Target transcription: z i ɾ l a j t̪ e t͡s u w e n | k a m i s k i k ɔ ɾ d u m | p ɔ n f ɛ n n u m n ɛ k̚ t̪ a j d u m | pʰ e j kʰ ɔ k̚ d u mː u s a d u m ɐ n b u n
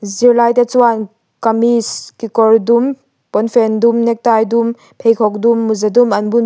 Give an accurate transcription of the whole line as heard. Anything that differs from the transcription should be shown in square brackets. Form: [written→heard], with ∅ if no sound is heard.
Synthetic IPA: z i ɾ l a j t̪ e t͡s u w [e→a] n | k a m i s k i k ɔ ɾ d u m | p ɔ n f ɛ n [n→d] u m n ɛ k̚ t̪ a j d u m | pʰ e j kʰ ɔ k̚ d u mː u [s→z] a d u m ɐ n b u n